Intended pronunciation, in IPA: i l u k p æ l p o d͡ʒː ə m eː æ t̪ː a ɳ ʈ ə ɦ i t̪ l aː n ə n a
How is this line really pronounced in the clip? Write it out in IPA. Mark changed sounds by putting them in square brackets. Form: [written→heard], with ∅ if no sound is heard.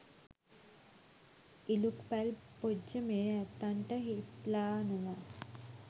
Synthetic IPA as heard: i l u k p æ l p o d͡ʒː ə m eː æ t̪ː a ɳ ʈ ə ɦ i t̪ l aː n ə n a